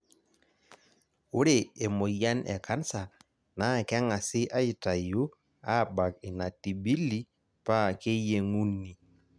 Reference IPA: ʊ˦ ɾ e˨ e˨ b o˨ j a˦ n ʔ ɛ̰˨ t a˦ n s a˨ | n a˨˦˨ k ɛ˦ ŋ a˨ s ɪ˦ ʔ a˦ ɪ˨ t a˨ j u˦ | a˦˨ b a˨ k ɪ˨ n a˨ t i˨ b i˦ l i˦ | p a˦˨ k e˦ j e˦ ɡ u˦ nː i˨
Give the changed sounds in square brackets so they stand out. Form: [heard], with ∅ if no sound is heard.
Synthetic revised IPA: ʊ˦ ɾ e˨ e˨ [m] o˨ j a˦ n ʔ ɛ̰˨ [k] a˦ n s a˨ | n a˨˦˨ k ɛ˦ ŋ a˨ s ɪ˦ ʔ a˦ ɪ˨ t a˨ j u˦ | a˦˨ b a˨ k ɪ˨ n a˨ t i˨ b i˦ l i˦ | p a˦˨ k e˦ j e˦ [ŋ] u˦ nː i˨